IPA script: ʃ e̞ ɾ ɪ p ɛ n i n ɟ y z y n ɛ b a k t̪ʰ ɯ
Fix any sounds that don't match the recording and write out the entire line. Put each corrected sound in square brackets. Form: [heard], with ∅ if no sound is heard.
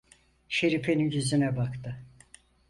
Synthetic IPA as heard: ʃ e̞ ɾ [i] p [e] n i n ɟ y z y n ɛ b a k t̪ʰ ɯ